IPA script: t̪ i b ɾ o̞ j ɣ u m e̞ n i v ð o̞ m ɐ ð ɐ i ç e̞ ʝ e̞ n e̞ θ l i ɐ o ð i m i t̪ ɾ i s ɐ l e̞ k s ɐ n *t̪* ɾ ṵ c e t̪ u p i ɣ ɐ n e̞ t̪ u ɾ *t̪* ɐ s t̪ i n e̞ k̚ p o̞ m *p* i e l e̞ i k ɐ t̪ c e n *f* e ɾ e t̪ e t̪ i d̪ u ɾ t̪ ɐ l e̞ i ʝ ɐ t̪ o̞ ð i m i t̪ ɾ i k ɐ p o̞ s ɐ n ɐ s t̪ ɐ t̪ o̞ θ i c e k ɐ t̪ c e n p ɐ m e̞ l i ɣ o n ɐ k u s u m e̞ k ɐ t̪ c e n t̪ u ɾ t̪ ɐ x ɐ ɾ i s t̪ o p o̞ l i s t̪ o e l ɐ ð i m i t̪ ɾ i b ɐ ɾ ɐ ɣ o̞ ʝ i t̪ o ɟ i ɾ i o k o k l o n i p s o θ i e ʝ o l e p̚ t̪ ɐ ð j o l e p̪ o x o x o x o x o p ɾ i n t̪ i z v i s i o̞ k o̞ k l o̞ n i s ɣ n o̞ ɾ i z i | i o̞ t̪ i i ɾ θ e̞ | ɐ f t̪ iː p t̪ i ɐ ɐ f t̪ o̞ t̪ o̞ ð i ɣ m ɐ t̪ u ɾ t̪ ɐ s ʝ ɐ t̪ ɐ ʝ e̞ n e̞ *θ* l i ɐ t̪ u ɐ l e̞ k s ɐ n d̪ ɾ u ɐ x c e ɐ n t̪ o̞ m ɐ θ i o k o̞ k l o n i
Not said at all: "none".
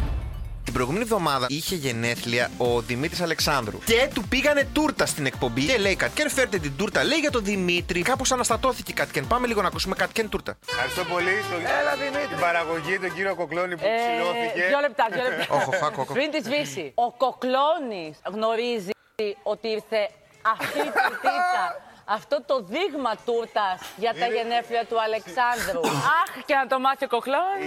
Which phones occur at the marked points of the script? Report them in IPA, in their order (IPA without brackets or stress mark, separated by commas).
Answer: d̪, t̪, b, f, f